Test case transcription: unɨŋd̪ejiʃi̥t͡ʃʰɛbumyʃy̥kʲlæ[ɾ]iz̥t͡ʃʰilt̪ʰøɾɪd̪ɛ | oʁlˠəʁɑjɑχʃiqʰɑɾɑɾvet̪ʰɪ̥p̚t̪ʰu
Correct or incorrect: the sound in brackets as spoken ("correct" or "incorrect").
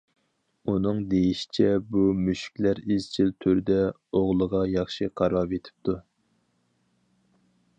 correct